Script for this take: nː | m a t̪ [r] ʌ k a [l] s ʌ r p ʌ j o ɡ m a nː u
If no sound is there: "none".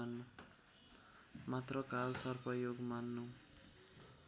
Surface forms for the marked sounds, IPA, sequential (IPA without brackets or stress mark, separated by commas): r, l